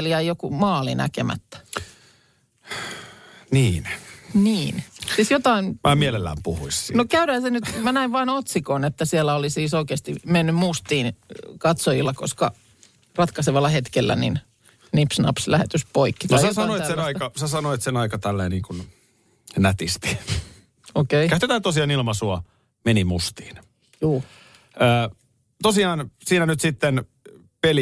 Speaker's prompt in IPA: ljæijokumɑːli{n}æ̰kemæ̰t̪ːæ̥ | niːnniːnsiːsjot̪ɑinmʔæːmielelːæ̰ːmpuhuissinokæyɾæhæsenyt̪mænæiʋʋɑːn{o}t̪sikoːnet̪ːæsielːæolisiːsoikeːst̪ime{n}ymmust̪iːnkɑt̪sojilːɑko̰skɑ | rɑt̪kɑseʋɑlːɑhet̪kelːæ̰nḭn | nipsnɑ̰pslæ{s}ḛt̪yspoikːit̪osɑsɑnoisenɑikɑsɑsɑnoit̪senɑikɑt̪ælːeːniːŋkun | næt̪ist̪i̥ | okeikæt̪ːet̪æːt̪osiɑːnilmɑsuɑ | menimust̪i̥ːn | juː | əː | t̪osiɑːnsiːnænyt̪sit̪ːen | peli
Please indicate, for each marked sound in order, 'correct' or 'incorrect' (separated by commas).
correct, correct, incorrect, incorrect